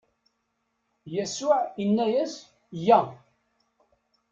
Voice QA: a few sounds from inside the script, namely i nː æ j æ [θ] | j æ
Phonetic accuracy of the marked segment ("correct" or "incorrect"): incorrect